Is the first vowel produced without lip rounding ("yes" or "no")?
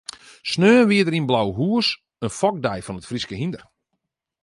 no